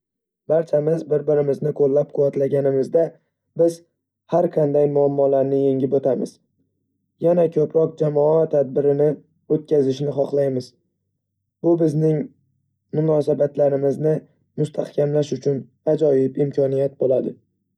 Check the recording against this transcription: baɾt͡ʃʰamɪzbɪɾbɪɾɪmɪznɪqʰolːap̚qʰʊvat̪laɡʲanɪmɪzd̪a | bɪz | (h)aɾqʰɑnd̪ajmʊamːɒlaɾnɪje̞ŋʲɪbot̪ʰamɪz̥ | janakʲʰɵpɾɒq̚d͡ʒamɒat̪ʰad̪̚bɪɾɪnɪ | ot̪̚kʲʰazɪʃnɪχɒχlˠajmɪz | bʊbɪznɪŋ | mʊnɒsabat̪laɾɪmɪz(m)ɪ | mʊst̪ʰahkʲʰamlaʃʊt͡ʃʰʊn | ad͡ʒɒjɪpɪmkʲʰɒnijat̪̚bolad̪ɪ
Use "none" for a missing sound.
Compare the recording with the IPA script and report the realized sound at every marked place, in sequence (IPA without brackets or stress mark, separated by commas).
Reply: h, n